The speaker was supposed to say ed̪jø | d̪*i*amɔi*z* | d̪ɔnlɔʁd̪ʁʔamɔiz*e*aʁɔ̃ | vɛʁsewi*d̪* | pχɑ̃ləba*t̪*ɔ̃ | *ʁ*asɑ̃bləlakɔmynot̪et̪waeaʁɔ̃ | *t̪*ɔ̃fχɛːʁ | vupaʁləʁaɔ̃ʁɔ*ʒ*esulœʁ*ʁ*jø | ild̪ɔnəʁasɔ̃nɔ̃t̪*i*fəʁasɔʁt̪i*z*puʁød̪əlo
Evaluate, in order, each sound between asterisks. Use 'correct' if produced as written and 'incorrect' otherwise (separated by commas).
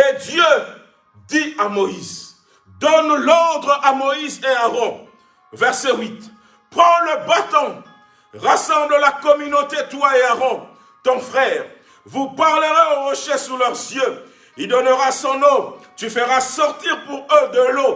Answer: correct, correct, correct, incorrect, correct, correct, correct, incorrect, incorrect, incorrect, incorrect